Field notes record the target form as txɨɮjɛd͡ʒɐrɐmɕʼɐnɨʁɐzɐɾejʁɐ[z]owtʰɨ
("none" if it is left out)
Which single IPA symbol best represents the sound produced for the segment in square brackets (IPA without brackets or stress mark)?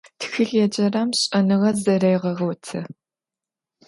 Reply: ʁ